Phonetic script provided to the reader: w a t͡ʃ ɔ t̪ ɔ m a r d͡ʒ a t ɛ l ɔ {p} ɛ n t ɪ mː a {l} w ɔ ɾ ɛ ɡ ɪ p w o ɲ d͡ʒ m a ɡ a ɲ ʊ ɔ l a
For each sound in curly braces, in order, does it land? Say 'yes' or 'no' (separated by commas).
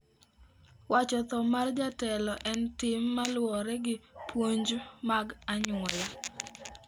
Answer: no, yes